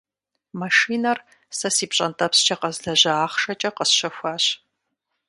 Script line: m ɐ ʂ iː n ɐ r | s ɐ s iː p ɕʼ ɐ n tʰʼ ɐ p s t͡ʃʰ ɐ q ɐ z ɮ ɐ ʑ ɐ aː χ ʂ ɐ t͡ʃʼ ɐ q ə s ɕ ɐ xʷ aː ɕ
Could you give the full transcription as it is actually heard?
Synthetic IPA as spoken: m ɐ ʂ iː n ɐ r | s ɐ s iː p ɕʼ ɐ n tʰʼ ɐ p s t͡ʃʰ ɐ q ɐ z ɮ ɐ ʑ ɐ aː χ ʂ ɐ t͡ʃʼ ɐ q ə s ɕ ɐ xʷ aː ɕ